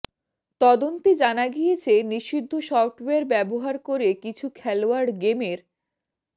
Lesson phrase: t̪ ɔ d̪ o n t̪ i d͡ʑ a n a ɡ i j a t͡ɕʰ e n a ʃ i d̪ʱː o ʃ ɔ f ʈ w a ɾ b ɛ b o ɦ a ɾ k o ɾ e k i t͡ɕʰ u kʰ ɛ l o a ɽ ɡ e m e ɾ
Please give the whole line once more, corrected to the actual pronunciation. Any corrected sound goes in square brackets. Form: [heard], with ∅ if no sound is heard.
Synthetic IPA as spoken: t̪ ɔ d̪ o n t̪ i d͡ʑ a n a ɡ i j [e] t͡ɕʰ e n [i] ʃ i d̪ʱː o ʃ ɔ f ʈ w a ɾ b ɛ b o ɦ a ɾ k o ɾ e k i t͡ɕʰ u kʰ ɛ l o a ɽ ɡ e m e ɾ